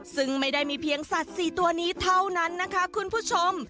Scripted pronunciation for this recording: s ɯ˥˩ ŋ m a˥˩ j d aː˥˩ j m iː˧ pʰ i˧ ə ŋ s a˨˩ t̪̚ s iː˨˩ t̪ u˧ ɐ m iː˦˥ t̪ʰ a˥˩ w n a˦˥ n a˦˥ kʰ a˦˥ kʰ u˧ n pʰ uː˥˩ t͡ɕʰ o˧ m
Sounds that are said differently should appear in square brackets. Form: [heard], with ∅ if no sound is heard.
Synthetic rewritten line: s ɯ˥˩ ŋ m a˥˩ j d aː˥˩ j m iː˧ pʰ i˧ ə ŋ s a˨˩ t̪̚ s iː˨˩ t̪ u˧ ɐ [n] iː˦˥ t̪ʰ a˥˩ w n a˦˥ [nː] a˦˥ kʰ a˦˥ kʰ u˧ n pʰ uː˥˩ t͡ɕʰ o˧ m